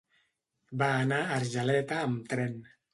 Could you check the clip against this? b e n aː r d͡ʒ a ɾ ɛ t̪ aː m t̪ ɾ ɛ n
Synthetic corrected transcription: b a n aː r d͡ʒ a l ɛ t̪ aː m t̪ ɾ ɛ n